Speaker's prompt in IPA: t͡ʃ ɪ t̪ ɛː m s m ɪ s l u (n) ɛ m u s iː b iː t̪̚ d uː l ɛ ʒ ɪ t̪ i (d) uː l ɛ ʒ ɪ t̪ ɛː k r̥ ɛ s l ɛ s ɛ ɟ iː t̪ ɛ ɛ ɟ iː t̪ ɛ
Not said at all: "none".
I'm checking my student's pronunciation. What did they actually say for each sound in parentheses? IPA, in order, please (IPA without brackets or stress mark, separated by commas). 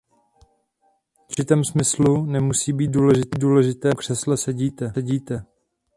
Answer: n, d